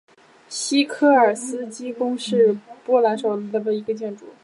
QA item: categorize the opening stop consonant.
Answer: aspirated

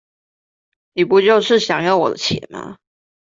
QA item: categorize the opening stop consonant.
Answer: plain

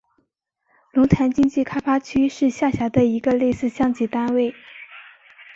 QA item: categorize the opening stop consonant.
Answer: aspirated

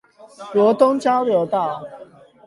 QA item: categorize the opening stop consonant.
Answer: plain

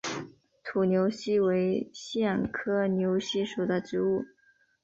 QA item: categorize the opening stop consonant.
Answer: aspirated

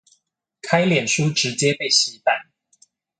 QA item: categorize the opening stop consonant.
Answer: aspirated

